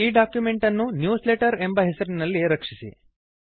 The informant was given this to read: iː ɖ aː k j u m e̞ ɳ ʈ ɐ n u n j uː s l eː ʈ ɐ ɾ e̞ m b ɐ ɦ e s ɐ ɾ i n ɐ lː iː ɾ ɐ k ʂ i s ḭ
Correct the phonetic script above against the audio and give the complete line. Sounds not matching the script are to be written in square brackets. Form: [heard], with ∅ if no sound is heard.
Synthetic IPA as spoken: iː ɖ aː k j u m e̞ ɳ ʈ ɐ [nː] u n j uː s l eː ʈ ɐ ɾ e̞ m b ɐ ɦ e s ɐ ɾ i n ɐ lː [i] ɾ ɐ k ʂ i s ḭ